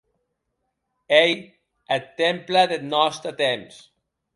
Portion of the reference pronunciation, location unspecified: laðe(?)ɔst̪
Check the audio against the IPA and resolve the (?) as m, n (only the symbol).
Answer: n